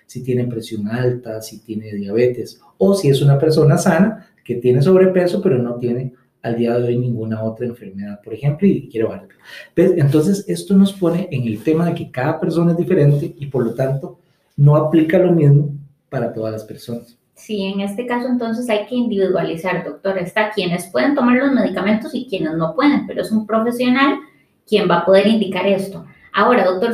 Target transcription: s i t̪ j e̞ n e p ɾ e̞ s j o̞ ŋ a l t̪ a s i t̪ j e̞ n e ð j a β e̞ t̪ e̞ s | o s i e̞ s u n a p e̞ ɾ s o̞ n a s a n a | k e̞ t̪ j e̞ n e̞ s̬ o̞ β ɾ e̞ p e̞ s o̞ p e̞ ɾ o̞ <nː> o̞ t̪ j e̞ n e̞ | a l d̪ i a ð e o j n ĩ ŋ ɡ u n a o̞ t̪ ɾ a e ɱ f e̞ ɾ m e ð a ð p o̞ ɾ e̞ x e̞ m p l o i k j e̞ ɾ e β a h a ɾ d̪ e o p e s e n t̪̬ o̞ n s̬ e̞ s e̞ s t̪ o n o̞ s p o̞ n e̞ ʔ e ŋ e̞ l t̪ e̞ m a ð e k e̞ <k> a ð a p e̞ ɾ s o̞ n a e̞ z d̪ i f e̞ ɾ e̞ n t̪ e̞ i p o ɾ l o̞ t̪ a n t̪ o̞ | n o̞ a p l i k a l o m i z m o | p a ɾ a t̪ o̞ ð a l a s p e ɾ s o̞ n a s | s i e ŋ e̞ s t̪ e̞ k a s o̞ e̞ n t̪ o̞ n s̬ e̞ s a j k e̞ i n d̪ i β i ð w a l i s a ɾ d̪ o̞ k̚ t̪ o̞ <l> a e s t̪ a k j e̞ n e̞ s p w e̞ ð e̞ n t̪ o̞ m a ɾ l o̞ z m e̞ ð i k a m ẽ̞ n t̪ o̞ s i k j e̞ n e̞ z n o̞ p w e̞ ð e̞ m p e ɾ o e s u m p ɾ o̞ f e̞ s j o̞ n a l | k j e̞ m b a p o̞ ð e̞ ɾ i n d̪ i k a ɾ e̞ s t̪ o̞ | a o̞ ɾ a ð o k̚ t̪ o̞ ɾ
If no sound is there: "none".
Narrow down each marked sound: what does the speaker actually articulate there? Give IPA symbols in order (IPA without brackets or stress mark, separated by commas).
n, k, ɾ